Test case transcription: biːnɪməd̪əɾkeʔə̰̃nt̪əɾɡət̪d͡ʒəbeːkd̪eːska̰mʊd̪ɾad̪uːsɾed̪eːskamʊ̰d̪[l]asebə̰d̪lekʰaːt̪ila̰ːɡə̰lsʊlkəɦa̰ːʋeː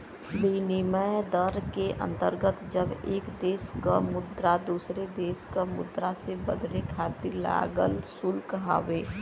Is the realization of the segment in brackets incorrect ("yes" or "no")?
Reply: yes